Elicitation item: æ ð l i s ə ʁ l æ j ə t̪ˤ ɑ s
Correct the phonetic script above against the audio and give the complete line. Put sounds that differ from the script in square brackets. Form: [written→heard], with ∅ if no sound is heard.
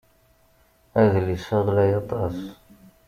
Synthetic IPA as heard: æ ð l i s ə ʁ l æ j [ə→ɑ] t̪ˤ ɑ s

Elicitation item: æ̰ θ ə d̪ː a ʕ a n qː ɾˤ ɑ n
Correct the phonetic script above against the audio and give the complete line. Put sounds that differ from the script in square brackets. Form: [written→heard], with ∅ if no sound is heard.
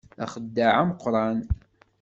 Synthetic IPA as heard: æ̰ [θ→χ] ə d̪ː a ʕ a [n→m] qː ɾˤ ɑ n

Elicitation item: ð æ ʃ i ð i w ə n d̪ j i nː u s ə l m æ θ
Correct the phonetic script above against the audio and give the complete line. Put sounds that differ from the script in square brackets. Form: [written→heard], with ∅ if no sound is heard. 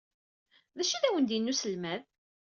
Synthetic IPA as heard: ð æ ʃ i ð [i→æ] w ə n d̪ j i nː u s ə l m æ [θ→ð]

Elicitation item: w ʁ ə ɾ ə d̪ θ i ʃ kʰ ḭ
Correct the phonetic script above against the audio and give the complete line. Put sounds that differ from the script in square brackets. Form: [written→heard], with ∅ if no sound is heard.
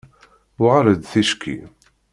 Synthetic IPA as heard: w ʁ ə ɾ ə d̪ θ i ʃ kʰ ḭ

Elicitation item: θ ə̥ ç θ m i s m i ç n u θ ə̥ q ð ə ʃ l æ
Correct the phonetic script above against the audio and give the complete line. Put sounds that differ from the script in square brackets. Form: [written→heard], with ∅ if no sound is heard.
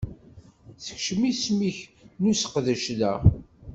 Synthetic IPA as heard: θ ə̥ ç [θ→ʃ] m i s m i ç n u [θ→s] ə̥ q ð ə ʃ l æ

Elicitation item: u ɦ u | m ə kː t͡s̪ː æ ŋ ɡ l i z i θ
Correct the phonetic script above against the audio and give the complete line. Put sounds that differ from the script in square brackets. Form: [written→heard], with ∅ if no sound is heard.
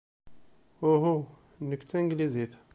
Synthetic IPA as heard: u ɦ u | [m→n] ə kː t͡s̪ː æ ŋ ɡ l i z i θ

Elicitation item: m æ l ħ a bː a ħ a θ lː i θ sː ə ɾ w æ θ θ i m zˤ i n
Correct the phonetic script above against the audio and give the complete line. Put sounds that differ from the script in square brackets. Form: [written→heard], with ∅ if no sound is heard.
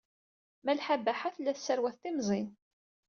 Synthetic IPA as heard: m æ l ħ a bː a ħ a θ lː [i→æ] θ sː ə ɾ w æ θ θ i m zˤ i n

